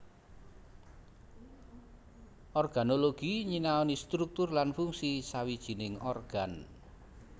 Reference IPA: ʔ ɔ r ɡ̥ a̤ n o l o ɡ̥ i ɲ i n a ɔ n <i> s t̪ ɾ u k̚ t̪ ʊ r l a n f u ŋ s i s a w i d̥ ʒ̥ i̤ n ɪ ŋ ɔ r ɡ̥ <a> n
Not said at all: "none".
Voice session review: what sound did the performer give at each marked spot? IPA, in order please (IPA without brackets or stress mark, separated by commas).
i, a